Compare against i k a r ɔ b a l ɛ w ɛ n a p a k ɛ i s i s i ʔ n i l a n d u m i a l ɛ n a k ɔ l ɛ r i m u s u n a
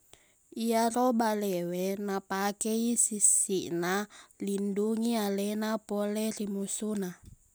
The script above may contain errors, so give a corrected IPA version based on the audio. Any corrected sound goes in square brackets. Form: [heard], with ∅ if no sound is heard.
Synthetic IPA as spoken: i [∅] a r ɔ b a l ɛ w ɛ n a p a k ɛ i s i s i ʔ n [a] l [i] n d u [ŋ] i a l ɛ n a [p] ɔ l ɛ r i m u s u n a